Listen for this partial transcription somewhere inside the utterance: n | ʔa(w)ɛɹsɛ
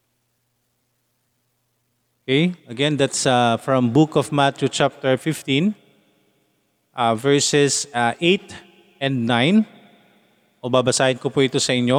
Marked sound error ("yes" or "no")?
yes